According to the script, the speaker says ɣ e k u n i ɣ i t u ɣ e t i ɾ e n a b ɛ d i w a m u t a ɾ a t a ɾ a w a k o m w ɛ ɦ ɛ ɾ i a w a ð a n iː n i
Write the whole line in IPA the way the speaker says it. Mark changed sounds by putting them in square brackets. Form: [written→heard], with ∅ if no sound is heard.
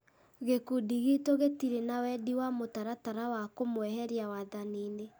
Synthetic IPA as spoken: ɣ e k u [n→d] i ɣ i t [u→o] ɣ e t i ɾ e n a [b→w] ɛ d i w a m [u→o] t a ɾ a t a ɾ a w a k o m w ɛ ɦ ɛ ɾ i a w a ð a n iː n [i→e]